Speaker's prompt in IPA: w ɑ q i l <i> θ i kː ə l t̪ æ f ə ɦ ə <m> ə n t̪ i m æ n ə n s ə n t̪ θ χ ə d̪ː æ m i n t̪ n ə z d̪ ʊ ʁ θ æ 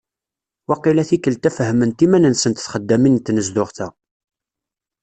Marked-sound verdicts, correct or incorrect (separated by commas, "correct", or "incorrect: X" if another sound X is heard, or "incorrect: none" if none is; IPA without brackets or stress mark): incorrect: æ, correct